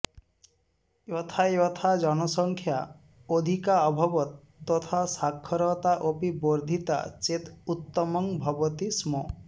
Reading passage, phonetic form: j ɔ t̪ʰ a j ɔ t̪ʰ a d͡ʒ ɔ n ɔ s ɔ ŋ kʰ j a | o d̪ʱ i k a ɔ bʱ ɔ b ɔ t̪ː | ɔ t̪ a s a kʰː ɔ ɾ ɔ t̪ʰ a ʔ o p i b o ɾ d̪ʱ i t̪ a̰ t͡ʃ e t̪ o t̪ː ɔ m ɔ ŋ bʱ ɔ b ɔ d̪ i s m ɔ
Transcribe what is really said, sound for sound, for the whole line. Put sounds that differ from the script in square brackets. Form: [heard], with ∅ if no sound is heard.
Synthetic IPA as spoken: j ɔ t̪ʰ a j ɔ t̪ʰ a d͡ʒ ɔ n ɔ s ɔ ŋ kʰ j a | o d̪ʱ i k a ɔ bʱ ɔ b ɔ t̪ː | ɔ [t̪ʰ] a s a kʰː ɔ ɾ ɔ [t̪] a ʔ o p i b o ɾ d̪ʱ i t̪ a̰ t͡ʃ e t̪ [u] t̪ː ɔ m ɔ ŋ bʱ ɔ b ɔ [t̪] i s m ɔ